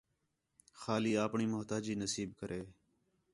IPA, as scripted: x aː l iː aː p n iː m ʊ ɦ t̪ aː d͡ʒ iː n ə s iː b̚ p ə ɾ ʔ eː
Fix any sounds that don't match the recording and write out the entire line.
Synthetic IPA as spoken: x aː l iː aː p ɳ iː m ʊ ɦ t̪ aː d͡ʒ iː n ə s iː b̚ k ə ɾ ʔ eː